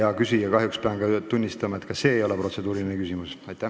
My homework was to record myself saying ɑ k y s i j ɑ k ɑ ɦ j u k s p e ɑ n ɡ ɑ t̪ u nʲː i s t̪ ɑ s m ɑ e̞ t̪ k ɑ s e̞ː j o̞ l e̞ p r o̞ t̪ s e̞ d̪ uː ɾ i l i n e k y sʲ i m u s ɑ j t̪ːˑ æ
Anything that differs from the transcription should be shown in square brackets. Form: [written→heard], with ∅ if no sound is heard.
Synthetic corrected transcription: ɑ k y s i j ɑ k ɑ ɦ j u k s p e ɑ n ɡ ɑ t̪ u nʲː i s t̪ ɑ [s→∅] m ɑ e̞ t̪ k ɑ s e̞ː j o̞ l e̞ p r o̞ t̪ s e̞ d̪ uː ɾ i l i n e k y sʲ i m u s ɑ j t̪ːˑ æ